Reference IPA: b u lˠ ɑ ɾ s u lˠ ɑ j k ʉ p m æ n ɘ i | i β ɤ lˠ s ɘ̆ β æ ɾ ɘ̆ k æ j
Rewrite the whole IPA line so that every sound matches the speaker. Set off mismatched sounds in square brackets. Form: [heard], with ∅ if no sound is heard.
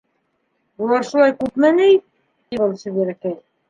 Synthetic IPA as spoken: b u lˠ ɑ ɾ [ʃ] u lˠ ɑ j k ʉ p m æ n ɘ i | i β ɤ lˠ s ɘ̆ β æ ɾ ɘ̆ k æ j